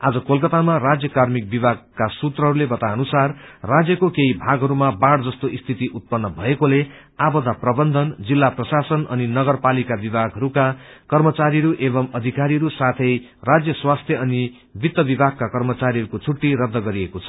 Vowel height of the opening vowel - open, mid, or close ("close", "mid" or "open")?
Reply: open